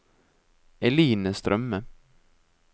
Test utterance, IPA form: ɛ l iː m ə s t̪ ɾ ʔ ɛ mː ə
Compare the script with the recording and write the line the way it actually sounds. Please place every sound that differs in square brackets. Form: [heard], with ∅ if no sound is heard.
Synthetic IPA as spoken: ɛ l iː [n] ə s t̪ ɾ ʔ [œ] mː ə